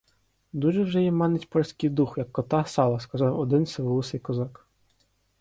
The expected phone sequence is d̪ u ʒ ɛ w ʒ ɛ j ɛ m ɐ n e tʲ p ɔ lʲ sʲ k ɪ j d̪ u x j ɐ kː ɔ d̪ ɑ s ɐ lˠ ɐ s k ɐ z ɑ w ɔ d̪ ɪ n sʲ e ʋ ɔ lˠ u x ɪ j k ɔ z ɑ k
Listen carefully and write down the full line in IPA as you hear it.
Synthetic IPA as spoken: d̪ u ʒ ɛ w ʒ ɛ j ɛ m ɑ n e tʲ p ɔ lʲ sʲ k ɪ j d̪ u x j ɐ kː ɔ t̪ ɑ s ɑ lˠ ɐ s k ɐ z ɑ w ɔ d̪ ɪ n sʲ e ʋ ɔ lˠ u s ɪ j k ɔ z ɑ k